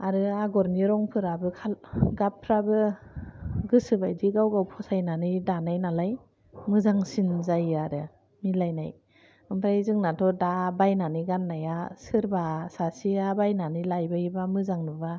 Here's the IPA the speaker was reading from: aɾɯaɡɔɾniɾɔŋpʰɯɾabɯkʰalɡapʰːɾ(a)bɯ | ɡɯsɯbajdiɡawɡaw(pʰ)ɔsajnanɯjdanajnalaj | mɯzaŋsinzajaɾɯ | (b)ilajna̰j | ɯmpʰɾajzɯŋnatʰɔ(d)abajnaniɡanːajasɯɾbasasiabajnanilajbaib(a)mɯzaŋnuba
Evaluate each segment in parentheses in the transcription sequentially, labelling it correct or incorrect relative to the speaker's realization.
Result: correct, correct, incorrect, correct, correct

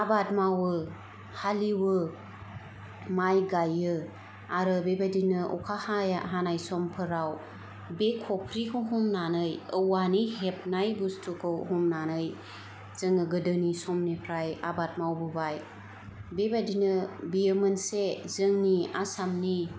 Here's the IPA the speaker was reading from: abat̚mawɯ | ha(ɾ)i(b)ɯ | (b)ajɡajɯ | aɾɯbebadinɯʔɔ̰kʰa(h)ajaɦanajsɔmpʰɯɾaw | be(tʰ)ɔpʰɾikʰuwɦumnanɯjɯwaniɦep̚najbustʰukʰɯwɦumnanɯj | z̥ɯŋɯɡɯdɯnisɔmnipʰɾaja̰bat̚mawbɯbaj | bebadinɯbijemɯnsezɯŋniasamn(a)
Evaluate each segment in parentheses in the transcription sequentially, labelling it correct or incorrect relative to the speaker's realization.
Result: incorrect, incorrect, incorrect, correct, incorrect, incorrect

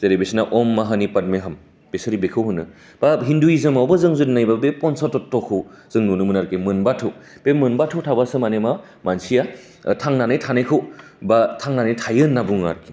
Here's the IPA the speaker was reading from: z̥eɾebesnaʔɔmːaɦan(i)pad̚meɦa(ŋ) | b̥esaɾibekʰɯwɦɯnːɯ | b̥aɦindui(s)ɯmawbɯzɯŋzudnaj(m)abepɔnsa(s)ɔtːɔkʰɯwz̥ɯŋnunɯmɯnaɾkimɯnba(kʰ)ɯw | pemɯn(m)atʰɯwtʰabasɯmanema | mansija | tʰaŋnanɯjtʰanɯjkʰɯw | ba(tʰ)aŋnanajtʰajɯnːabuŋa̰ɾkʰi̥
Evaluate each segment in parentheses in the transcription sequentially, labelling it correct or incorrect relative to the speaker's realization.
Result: correct, incorrect, incorrect, incorrect, incorrect, incorrect, incorrect, correct

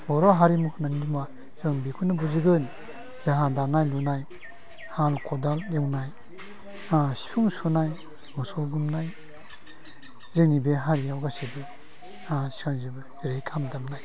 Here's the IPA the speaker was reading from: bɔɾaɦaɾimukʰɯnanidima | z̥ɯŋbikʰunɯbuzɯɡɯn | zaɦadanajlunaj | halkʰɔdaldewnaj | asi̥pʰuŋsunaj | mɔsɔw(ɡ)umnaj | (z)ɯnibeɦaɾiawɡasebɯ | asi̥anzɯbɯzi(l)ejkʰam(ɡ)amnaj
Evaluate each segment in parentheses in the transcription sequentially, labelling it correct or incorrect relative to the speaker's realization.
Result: correct, correct, incorrect, incorrect

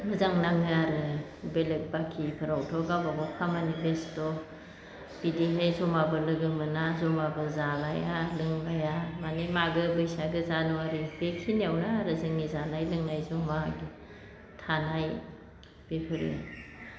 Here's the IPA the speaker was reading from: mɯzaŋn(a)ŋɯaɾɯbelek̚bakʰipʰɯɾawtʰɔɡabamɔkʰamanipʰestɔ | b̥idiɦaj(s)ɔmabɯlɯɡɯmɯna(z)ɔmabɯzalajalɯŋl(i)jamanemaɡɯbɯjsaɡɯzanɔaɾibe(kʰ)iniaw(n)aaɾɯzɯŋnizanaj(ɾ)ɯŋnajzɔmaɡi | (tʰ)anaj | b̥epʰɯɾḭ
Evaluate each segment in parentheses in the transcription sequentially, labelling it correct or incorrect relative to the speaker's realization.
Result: correct, incorrect, correct, incorrect, correct, correct, incorrect, correct

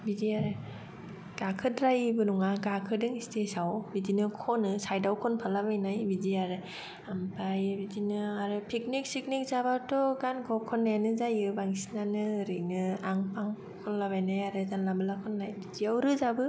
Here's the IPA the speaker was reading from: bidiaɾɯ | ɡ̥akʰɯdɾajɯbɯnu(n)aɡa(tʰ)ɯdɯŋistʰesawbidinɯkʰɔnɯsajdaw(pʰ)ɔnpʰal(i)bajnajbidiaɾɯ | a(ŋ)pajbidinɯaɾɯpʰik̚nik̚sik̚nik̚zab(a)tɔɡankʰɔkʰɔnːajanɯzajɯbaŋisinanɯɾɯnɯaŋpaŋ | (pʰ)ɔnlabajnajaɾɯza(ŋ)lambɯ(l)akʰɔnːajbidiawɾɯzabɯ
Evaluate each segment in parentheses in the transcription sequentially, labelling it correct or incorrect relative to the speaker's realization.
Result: incorrect, incorrect, incorrect, incorrect, incorrect, correct, incorrect, incorrect, correct

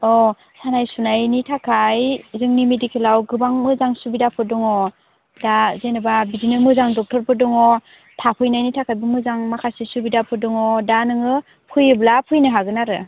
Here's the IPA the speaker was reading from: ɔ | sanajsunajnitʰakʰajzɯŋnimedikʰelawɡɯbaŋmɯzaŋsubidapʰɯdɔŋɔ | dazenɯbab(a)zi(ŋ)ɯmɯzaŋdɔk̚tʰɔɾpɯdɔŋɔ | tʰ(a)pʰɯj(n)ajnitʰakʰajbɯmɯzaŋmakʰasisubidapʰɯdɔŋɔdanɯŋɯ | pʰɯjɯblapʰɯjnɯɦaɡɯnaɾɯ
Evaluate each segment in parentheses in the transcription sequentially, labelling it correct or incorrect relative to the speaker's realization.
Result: incorrect, incorrect, correct, correct

